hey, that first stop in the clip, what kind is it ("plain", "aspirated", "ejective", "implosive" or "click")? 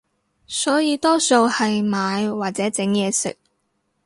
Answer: plain